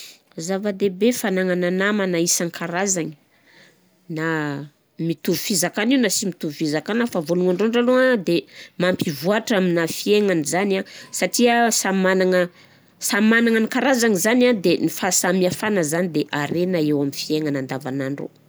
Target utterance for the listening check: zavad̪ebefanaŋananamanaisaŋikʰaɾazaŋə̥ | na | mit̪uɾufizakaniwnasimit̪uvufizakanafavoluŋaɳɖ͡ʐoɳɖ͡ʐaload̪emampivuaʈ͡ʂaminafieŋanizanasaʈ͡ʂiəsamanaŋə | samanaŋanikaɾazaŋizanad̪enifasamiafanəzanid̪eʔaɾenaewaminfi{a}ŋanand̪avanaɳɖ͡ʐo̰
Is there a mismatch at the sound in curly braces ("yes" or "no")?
yes